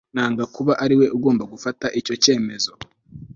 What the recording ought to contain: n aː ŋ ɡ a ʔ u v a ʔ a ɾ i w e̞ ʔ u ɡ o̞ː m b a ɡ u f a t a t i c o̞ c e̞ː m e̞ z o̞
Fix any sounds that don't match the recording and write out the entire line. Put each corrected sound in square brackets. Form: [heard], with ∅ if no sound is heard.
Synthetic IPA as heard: n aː ŋ ɡ a [k] u [β] a ʔ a ɾ i w e̞ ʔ u ɡ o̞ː m b a ɡ u f a t a [ʔ] i c o̞ c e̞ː m e̞ z o̞